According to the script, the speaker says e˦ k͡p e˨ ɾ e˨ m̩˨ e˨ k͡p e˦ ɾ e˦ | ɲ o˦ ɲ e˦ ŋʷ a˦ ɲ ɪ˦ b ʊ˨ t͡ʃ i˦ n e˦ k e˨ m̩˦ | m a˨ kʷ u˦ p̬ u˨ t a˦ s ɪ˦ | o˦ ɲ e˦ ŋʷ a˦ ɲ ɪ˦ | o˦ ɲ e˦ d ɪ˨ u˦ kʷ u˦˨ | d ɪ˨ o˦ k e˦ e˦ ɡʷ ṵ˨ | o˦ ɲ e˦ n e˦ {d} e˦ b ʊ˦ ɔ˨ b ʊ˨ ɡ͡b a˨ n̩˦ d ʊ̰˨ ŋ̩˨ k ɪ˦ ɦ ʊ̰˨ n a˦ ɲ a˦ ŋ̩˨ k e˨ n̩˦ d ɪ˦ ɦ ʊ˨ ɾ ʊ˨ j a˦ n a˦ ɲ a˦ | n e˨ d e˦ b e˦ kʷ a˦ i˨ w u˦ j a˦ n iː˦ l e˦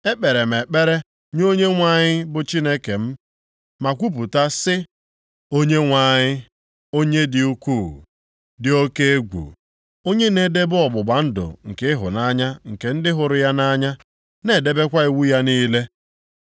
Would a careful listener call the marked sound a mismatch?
no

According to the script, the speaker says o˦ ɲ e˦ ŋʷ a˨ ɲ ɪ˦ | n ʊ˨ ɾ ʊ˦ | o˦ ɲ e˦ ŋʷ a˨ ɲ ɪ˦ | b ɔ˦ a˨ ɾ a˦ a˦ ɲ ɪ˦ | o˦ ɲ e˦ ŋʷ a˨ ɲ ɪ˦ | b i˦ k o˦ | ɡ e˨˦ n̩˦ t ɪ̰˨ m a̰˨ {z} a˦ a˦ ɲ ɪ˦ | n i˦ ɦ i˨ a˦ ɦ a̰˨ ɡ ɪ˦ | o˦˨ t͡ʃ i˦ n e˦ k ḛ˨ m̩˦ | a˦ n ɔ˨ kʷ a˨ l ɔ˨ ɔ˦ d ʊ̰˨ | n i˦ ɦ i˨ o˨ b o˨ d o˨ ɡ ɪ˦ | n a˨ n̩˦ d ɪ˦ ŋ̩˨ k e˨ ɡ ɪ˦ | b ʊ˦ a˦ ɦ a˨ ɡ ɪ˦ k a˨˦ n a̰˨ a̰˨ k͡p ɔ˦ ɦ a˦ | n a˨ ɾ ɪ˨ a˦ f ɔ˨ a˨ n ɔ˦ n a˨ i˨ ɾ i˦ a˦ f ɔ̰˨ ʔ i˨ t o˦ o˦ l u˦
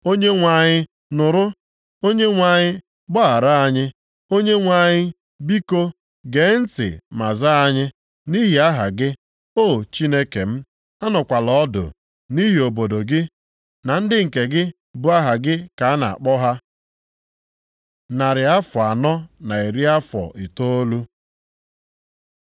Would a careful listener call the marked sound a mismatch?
no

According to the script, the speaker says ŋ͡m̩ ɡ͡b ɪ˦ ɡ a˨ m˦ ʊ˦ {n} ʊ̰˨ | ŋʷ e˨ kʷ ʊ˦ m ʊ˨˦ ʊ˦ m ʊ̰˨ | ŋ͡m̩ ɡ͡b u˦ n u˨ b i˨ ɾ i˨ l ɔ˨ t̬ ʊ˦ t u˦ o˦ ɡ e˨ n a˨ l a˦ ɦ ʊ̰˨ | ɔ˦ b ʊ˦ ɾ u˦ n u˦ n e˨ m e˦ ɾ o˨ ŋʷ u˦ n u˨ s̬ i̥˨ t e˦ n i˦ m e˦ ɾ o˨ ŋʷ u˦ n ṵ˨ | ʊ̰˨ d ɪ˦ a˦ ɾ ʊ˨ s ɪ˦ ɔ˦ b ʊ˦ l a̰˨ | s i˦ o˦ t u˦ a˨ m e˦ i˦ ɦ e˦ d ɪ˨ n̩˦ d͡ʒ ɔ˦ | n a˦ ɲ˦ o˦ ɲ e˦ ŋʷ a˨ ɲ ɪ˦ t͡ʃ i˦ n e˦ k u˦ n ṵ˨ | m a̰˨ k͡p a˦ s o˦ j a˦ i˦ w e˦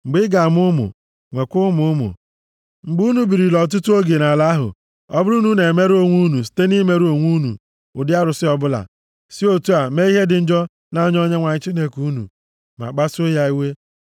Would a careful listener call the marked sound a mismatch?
yes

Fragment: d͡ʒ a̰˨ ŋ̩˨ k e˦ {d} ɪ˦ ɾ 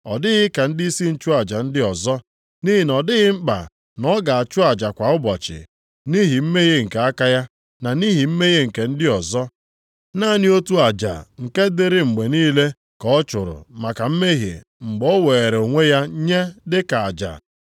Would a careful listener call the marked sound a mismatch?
no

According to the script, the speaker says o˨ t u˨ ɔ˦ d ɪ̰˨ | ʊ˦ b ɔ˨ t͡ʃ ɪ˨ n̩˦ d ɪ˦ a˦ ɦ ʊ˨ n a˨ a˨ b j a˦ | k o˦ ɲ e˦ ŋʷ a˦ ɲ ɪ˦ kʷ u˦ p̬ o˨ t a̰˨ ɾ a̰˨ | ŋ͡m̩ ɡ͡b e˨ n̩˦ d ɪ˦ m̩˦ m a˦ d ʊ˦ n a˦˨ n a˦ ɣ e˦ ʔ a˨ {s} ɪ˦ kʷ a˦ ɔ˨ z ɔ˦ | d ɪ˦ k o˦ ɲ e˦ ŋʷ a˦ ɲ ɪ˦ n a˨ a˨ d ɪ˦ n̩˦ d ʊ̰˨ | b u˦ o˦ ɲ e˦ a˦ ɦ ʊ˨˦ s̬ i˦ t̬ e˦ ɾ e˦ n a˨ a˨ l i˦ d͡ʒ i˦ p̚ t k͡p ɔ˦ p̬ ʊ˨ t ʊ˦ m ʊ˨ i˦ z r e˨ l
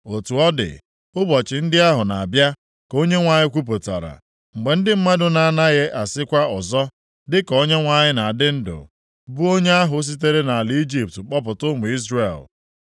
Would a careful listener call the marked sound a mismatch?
no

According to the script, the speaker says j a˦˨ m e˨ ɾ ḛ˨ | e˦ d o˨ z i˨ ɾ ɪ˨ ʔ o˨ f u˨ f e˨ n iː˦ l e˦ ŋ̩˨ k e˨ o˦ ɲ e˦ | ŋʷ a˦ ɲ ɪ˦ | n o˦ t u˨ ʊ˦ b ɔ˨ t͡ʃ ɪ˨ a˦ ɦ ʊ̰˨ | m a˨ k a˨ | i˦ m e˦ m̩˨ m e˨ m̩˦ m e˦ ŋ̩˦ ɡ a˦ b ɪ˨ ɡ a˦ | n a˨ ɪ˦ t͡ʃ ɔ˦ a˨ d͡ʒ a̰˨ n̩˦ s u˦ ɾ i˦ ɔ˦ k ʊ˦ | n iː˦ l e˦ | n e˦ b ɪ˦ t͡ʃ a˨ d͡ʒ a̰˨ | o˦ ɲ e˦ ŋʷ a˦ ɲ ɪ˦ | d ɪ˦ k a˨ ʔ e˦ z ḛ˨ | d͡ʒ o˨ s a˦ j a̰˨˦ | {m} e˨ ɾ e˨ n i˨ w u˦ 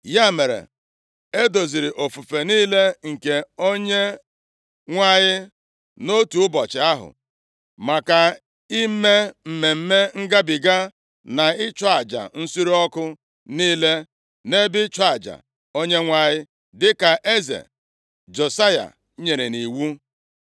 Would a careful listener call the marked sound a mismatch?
yes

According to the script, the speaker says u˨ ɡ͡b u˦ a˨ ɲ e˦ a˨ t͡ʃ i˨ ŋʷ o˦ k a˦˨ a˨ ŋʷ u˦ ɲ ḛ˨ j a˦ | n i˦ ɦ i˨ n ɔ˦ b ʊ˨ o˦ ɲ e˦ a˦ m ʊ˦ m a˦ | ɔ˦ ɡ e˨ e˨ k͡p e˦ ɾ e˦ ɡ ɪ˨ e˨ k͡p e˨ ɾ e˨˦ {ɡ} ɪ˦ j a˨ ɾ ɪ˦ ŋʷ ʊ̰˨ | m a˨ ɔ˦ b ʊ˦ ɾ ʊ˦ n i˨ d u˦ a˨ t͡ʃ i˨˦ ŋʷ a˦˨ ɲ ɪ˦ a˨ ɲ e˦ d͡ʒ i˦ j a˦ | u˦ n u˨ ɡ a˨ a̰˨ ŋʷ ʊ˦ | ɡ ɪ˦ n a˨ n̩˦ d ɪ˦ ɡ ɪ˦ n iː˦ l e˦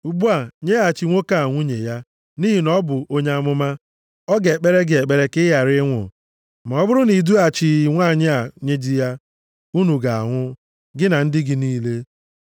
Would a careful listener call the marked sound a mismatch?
yes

